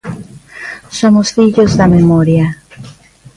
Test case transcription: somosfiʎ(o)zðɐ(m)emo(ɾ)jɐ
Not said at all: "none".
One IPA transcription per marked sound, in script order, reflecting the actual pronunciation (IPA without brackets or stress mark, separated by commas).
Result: o, m, ɾ